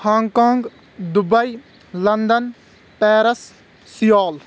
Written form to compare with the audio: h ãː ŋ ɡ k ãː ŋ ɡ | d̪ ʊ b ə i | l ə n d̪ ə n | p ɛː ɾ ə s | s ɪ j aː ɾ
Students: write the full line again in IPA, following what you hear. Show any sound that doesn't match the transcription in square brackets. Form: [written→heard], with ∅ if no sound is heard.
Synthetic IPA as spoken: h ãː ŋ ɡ k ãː ŋ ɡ | d̪ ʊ b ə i | l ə n d̪ ə n | p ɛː ɾ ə s | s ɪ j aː [ɾ→l]